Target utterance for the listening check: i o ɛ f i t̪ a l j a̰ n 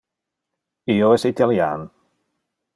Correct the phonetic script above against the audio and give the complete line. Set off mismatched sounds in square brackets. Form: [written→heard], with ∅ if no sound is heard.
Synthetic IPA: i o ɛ [f→s] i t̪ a l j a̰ n